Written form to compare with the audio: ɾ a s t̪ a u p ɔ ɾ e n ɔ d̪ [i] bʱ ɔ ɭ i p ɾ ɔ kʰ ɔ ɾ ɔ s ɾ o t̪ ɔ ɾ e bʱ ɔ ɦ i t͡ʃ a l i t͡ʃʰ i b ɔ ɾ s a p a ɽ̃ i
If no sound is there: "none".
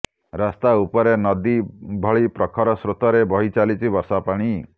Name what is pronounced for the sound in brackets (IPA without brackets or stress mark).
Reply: i